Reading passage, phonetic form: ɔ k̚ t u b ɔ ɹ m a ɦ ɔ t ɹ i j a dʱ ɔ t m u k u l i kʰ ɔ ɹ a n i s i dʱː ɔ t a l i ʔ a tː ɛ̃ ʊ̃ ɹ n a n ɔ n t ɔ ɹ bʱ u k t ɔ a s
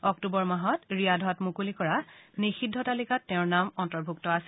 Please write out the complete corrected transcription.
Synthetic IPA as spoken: ɔ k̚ t u b ɔ ɹ m a ɦ ɔ t ɹ i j a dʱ ɔ t m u k u l i k ɔ ɹ a n i x i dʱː ɔ t a l i k a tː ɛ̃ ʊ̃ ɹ n a m ɔ n t ɔ ɹ bʱ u k t ɔ a s